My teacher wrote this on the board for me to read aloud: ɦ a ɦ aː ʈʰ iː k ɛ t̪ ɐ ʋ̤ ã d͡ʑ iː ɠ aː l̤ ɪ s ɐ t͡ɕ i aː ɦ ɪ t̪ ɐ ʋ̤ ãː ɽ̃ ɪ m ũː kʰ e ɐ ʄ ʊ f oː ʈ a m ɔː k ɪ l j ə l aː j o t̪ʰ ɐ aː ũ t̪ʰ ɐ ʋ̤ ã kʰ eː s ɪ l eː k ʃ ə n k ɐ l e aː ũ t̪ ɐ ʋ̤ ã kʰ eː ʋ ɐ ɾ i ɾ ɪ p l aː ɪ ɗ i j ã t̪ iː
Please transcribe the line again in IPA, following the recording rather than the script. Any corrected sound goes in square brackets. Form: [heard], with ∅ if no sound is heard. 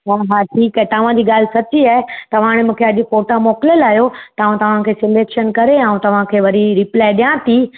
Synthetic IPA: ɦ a ɦ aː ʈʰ iː k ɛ t̪ ɐ ʋ̤ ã d͡ʑ iː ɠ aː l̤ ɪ s ɐ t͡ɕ i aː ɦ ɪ t̪ ɐ ʋ̤ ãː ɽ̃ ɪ m ũː kʰ e ɐ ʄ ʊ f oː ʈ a m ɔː k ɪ l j ə l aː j o [t̪] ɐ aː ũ [t̪] ɐ ʋ̤ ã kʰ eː s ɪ l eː k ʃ ə n k ɐ [ɾ] e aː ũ t̪ ɐ ʋ̤ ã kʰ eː ʋ ɐ ɾ i ɾ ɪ p l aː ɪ ɗ i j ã t̪ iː